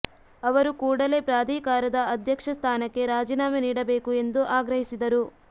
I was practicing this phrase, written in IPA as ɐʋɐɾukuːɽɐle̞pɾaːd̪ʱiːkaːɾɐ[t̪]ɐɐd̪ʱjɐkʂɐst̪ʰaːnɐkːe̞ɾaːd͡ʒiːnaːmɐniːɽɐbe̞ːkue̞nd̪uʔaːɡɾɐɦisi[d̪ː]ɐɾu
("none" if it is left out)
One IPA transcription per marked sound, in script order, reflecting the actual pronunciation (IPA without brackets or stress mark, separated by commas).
d̪, d̪